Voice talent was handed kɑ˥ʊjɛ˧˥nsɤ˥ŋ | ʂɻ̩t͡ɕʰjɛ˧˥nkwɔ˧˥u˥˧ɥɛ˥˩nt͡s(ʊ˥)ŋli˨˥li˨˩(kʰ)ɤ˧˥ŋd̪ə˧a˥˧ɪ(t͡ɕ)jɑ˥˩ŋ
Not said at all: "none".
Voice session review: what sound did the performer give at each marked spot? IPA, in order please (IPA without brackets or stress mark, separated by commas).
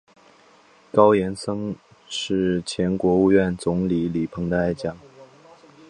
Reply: ʊ˧˥, pʰ, t͡ɕ